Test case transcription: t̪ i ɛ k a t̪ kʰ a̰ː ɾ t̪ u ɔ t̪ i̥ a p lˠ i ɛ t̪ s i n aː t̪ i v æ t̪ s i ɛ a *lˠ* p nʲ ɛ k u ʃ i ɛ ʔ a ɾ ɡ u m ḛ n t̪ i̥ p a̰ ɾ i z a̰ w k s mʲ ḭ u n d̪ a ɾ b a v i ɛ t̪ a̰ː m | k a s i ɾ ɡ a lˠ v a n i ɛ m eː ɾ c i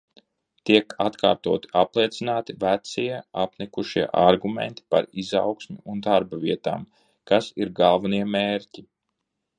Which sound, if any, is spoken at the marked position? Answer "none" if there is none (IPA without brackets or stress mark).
none